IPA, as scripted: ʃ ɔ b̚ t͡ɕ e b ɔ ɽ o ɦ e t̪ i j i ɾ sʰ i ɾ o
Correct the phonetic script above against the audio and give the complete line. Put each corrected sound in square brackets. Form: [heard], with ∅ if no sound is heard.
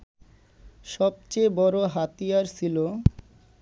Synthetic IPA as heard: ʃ ɔ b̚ t͡ɕ e b ɔ [ɾ] o ɦ [a] t̪ i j [a] ɾ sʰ i [l] o